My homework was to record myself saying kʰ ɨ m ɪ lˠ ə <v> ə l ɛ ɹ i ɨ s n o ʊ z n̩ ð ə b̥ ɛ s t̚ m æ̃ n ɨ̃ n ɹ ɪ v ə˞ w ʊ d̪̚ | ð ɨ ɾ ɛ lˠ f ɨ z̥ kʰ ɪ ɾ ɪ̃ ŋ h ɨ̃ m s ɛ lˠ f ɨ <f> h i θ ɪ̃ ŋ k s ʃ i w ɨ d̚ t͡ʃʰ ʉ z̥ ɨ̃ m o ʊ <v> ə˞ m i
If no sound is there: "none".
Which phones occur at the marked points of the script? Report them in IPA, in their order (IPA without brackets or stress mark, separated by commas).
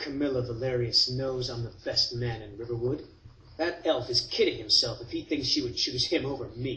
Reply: v, f, v